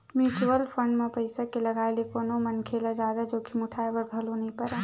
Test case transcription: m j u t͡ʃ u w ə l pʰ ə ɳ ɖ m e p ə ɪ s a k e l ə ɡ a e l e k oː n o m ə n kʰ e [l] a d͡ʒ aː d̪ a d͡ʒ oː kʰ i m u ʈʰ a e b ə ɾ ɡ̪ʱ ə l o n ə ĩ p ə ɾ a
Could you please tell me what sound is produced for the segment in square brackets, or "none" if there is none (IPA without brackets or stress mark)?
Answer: l